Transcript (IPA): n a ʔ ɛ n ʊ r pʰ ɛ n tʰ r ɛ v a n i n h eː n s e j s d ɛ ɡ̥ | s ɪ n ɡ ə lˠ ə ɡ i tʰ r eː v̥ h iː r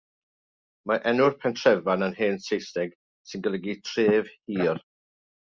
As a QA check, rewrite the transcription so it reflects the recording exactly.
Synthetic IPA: m a ʔ ɛ n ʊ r pʰ ɛ n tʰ r ɛ v a n a n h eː n s e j s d ɛ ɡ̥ | s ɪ n ɡ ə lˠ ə ɡ i tʰ r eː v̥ h iː r